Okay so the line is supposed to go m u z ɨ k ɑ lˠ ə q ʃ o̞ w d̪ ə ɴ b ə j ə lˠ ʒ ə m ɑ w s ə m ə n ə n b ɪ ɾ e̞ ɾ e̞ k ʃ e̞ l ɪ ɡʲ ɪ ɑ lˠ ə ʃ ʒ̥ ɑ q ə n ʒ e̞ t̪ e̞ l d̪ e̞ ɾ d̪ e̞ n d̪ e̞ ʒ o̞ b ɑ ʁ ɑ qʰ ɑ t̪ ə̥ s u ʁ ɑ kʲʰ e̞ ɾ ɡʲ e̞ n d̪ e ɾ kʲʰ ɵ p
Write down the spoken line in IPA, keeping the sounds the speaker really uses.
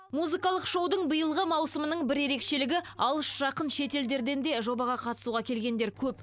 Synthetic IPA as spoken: m u z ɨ k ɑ lˠ ə q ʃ o̞ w d̪ ə ɴ b ə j ə lˠ ʁ ə m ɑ w s ə m ə n ə ɴ b ɪ ɾ e̞ ɾ e̞ k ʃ e̞ l ɪ ɡʲ ɪ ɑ lˠ ə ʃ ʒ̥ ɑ q ə n ʃ e̞ t̪ e̞ l d̪ e̞ ɾ d̪ e̞ n d̪ e̞ ʒ o̞ b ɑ ʁ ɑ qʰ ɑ t̪ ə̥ s u ʁ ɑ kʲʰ e̞ l ɡʲ e̞ n d̪ e ɾ kʲʰ ɵ p